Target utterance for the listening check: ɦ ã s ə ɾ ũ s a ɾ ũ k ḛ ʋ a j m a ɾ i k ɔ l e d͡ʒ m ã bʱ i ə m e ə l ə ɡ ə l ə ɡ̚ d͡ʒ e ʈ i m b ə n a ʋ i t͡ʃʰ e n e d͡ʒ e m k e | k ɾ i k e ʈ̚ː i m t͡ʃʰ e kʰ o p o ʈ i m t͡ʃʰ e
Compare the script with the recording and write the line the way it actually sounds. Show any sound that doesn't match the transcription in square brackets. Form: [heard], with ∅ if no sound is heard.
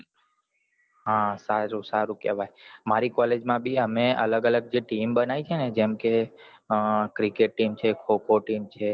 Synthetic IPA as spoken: ɦ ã s [a] ɾ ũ s a ɾ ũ k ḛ ʋ a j m a ɾ i k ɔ l e d͡ʒ m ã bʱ i ə m e ə l ə ɡ ə l ə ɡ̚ d͡ʒ e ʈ i m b ə n a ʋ i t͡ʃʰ e n e d͡ʒ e m k e | k ɾ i k e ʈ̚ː i m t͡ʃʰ e kʰ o [k] o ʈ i m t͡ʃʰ e